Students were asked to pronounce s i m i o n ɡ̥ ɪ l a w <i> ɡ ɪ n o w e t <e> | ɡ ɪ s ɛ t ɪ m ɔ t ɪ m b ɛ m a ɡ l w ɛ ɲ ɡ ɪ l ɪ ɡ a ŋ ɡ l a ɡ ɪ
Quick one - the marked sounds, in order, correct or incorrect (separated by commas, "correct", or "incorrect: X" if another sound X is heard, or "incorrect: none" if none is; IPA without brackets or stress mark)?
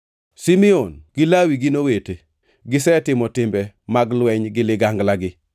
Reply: correct, correct